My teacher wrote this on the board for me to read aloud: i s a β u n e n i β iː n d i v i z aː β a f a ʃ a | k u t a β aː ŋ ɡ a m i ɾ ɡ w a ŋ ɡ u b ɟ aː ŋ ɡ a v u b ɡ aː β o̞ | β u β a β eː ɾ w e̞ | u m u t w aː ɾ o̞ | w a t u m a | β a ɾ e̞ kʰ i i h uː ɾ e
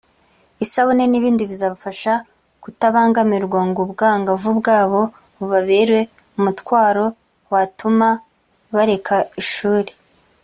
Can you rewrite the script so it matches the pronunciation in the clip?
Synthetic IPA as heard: i s a β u n e n i β iː n d i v i z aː β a f a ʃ a | k u t a β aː ŋ ɡ a m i ɾ ɡ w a ŋ ɡ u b ɡ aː ŋ ɡ a v u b ɡ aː β o̞ | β u β a β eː ɾ w e̞ | u m u t w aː ɾ o̞ | w a t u m a | β a ɾ e̞ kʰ a i ʃ uː ɾ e